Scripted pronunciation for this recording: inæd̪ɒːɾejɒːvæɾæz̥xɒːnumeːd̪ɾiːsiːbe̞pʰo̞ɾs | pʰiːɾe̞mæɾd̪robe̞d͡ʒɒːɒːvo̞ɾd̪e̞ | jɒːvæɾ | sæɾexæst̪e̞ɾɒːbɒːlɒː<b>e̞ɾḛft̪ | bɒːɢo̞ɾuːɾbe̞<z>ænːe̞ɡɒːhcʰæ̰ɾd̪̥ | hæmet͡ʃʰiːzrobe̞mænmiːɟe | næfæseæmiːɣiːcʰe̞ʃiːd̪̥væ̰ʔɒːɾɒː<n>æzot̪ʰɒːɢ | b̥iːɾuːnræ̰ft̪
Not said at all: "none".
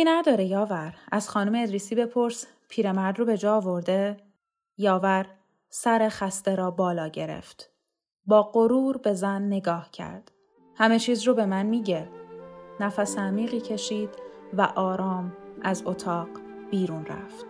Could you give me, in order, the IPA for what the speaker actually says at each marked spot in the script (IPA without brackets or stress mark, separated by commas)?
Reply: ɟ, z, m